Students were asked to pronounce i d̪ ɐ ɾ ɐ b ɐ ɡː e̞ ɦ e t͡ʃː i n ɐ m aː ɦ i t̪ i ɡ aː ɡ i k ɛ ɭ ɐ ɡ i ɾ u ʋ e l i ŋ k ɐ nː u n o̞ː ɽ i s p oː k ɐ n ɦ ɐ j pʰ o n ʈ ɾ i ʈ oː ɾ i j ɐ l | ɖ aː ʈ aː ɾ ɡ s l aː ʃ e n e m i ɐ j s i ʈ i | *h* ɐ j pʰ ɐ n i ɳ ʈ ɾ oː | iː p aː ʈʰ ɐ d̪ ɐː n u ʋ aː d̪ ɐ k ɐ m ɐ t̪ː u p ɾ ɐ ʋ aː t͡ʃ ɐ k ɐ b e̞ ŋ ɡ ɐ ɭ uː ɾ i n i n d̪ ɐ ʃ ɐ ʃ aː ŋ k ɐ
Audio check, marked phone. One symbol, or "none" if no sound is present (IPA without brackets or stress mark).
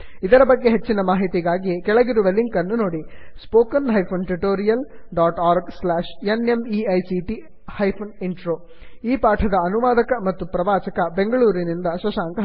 h